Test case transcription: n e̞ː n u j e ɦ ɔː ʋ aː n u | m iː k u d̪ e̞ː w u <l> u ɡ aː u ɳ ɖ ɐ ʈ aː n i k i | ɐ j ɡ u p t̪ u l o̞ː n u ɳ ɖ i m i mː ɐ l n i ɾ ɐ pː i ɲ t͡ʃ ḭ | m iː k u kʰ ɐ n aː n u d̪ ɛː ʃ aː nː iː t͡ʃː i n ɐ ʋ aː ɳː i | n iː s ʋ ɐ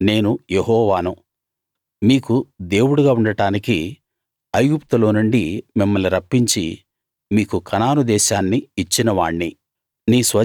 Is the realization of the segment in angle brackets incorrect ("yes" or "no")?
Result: yes